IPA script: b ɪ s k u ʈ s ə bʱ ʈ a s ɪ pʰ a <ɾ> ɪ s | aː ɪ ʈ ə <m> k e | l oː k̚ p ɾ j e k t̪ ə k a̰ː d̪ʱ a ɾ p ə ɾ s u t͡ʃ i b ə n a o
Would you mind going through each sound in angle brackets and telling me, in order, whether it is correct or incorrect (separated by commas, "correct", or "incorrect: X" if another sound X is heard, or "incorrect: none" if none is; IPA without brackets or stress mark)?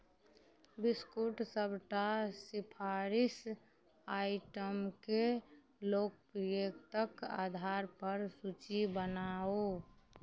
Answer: correct, correct